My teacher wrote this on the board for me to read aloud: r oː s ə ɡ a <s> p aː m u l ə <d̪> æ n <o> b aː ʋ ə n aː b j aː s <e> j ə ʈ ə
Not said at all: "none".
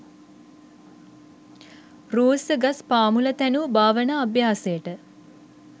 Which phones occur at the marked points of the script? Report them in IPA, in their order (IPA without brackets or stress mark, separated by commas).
s, t̪, u, e